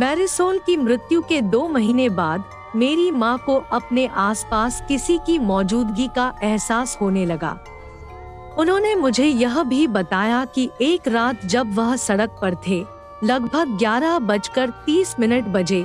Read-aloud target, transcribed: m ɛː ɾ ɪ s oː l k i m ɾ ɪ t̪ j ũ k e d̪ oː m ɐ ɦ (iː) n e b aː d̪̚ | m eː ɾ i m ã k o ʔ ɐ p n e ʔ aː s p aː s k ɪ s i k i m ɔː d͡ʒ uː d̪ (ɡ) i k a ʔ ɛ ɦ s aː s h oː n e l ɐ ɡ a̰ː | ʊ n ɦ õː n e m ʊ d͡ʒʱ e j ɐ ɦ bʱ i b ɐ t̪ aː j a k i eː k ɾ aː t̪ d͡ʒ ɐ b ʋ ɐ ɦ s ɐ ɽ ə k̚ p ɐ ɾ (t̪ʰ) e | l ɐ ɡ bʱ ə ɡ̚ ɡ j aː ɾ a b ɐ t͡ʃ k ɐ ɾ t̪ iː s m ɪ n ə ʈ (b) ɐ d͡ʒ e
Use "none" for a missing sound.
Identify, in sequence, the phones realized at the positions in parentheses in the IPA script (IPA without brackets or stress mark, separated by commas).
iː, ɡ, t̪ʰ, b